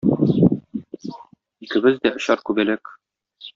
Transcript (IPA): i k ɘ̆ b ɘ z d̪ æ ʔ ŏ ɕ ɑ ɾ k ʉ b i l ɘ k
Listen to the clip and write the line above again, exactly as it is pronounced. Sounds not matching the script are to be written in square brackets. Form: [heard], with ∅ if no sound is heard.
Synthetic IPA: i k ɘ̆ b ɘ z d̪ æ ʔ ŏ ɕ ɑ ɾ k ʉ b [æ] l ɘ k